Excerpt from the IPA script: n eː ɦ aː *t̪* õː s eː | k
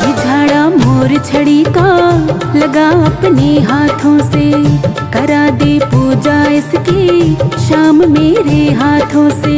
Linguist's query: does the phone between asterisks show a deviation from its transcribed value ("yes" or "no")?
yes